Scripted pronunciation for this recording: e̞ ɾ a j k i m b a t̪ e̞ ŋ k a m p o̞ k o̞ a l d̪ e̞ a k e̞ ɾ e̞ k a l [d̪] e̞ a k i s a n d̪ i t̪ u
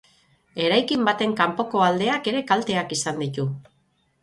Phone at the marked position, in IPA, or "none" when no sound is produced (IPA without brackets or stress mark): t̪